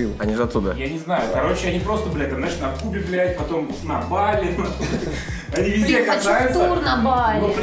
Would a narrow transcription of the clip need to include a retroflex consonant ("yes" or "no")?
yes